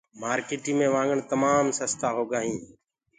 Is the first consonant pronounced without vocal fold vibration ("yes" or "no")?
no